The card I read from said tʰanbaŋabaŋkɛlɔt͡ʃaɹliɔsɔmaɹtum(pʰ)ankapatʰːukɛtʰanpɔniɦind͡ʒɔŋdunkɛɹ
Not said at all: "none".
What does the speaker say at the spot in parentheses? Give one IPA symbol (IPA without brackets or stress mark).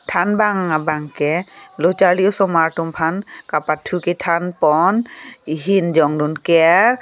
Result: pʰ